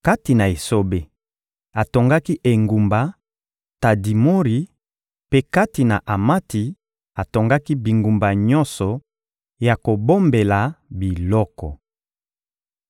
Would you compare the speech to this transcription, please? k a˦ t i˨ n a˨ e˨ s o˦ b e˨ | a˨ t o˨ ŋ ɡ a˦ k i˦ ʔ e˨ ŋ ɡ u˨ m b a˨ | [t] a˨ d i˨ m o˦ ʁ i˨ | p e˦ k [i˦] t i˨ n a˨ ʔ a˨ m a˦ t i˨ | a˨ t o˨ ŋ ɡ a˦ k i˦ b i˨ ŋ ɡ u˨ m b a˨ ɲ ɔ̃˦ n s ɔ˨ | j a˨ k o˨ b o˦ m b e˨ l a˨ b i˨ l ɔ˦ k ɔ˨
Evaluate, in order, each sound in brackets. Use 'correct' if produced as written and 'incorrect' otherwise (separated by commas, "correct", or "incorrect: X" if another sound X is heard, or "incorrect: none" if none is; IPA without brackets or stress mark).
correct, incorrect: a˦